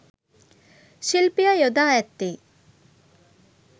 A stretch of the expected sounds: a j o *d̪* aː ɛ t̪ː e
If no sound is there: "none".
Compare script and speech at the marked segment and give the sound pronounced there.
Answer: d̪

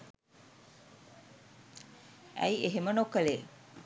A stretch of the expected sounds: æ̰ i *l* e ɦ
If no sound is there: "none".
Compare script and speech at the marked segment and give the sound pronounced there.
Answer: none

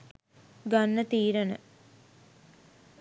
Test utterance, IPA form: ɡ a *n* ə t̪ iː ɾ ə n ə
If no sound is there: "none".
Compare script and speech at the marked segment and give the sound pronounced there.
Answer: nː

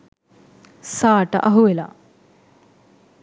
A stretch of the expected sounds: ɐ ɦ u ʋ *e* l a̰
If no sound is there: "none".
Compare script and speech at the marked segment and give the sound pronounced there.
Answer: e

